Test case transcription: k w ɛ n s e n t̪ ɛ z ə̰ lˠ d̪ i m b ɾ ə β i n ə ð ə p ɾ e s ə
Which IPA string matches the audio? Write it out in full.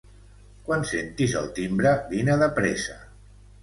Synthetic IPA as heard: k w a n s e n t̪ i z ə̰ lˠ t̪ i m b ɾ ə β i n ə ð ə p ɾ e s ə